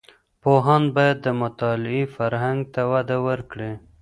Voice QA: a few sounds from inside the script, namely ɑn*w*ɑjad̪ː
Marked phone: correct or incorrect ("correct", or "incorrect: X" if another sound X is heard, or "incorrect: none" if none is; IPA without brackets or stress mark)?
incorrect: b